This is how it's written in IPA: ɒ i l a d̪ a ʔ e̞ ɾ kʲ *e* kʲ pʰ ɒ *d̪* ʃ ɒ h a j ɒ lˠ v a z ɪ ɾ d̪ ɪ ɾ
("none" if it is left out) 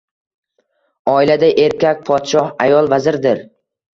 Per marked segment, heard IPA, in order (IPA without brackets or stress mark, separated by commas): a, t̪